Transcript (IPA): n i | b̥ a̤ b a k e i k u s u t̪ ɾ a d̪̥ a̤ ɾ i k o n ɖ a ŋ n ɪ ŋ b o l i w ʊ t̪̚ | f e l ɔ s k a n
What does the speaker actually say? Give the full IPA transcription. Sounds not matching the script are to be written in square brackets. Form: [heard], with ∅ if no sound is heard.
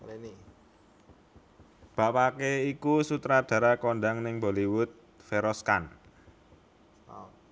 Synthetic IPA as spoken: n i | b̥ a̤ [p] a k e i k u s u t̪ ɾ a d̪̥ a̤ ɾ [a] k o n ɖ a ŋ n ɪ ŋ b o l i w ʊ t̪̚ | f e [ɾ] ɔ s k a n

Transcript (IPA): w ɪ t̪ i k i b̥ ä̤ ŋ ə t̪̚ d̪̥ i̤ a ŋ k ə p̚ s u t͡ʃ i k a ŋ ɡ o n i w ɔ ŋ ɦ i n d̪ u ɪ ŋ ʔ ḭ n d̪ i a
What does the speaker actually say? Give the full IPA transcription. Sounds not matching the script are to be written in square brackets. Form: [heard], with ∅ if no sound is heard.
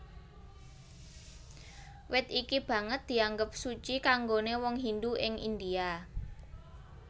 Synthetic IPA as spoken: w ɪ t̪ i k i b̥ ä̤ ŋ ə t̪̚ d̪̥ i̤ a ŋ [ɡ] ə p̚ s u t͡ʃ i k a ŋ ɡ o n [e] w ɔ ŋ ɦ i n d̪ u ɪ ŋ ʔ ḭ n d̪ i a

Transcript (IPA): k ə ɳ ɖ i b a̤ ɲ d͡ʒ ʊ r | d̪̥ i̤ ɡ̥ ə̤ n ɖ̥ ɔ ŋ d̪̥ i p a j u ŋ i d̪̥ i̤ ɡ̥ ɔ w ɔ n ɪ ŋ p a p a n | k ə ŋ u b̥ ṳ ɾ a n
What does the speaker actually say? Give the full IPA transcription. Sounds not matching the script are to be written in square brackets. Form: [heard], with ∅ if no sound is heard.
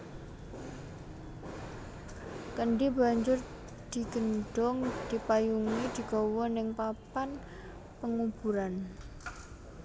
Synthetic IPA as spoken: k ə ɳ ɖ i b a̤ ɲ d͡ʒ ʊ r | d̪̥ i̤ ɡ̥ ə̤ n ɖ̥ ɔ ŋ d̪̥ i p a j u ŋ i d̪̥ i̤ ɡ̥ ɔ w ɔ n ɪ ŋ p a p a n | [p] ə ŋ u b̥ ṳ ɾ a n

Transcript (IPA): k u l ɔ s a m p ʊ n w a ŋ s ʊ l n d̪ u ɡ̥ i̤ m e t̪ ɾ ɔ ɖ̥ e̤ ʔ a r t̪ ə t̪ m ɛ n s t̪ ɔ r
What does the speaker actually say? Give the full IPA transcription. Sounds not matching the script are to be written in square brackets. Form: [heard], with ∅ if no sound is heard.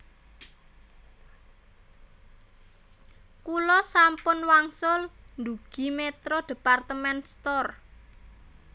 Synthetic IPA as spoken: k u l ɔ s a m p ʊ n w a ŋ s ʊ l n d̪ u ɡ̥ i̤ m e t̪ ɾ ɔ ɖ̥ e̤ [p] a r t̪ ə [∅] m ɛ n s t̪ ɔ r

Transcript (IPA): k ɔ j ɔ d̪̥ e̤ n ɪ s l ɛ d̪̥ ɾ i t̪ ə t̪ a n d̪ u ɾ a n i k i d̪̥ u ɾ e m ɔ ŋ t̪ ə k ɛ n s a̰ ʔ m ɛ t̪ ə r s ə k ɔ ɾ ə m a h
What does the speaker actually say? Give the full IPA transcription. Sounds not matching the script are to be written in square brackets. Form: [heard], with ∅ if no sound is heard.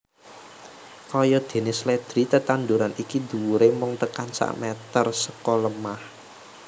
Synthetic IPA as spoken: k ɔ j ɔ d̪̥ e̤ n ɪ s l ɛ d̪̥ ɾ i t̪ ə t̪ a n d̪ u ɾ a n i k i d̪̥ u ɾ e m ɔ ŋ t̪ ə k [a] n s a̰ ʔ m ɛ t̪ ə r s ə k ɔ [l] ə m a h

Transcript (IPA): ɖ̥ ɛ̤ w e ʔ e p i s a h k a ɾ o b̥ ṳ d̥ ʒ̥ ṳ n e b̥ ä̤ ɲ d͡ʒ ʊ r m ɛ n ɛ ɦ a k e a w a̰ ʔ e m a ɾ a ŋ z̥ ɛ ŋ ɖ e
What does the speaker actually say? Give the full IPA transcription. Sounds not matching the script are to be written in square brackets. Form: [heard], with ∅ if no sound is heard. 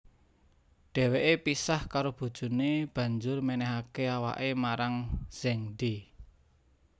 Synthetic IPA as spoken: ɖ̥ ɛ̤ w e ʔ e p i s a h k a ɾ o b̥ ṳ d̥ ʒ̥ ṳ n e b̥ ä̤ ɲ d͡ʒ ʊ r m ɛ n ɛ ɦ a k e a w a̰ ʔ e m a ɾ a ŋ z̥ ɛ ŋ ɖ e

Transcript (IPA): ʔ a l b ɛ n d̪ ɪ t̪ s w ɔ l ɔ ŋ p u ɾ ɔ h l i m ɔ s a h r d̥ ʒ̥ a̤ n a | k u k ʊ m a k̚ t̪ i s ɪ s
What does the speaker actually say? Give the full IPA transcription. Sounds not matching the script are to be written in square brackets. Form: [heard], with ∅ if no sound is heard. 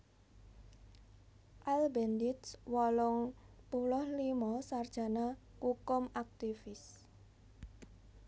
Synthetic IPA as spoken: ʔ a l b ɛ n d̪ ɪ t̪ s w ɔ l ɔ ŋ p u [l] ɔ h l i m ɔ s a [∅] r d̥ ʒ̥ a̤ n a | k u k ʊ m a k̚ t̪ i [f] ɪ s

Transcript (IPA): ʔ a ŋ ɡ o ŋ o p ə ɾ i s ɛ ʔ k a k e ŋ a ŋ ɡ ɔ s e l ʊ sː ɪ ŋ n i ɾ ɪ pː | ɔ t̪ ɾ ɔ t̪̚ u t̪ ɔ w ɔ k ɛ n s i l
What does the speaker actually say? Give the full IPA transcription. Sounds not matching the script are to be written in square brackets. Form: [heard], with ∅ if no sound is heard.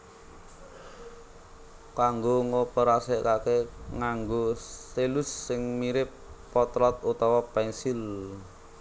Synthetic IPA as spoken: [k] a ŋ ɡ o ŋ o p ə ɾ [a] s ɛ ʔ k a k e ŋ a ŋ ɡ [o] s e l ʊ sː ɪ ŋ [m] i ɾ ɪ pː | ɔ t̪ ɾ ɔ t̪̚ u t̪ ɔ w ɔ [p] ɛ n s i l

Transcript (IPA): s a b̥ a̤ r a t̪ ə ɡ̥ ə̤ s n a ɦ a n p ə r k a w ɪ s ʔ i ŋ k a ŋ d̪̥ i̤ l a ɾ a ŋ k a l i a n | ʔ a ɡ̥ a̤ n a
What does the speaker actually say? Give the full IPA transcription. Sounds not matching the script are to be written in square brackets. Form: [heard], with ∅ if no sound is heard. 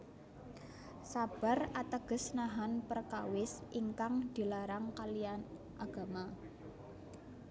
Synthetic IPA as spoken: s a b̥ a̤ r a t̪ ə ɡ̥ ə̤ s n a ɦ a n p ə r k a w ɪ s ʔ i ŋ k a ŋ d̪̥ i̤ l a ɾ a ŋ k a l i a n | ʔ a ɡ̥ a̤ [m] a

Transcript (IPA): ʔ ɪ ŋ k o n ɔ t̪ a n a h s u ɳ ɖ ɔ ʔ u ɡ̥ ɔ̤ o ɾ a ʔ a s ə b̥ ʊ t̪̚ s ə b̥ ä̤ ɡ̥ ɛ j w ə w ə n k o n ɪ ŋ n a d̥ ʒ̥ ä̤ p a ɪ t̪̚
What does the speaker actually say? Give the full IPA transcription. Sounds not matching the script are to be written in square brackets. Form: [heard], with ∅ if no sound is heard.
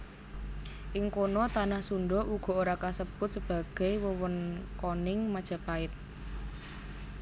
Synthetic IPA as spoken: ʔ ɪ ŋ k o n ɔ t̪ a n a h s u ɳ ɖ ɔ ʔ u ɡ̥ ɔ̤ o ɾ a [k] a s ə b̥ ʊ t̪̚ s ə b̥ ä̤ ɡ̥ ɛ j w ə w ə n k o n ɪ ŋ [m] a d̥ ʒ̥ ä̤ p a ɪ t̪̚

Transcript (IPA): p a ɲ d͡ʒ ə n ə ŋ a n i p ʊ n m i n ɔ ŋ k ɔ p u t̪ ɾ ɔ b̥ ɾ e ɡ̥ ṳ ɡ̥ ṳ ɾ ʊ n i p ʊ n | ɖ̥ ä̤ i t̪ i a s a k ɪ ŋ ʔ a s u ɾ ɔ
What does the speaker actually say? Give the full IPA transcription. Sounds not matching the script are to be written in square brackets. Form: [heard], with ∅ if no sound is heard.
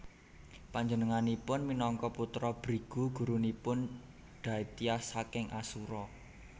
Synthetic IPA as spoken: p a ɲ d͡ʒ ə n ə ŋ a n i p ʊ n m i n ɔ ŋ k ɔ p u t̪ ɾ ɔ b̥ ɾ [i] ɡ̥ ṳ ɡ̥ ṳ ɾ [u] n i p ʊ n | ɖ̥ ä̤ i t̪ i a s a k ɪ ŋ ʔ a s u ɾ ɔ

